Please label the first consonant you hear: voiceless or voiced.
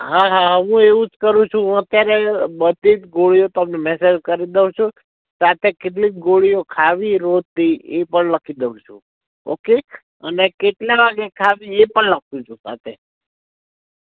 voiced